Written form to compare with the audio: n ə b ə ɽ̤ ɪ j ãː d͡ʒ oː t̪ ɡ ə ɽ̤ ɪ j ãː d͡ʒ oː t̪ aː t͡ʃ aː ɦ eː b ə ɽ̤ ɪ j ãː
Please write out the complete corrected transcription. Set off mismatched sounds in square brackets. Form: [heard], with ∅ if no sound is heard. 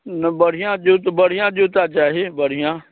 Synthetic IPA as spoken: n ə b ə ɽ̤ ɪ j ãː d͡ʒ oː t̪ [b] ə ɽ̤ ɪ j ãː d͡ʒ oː t̪ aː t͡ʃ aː ɦ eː b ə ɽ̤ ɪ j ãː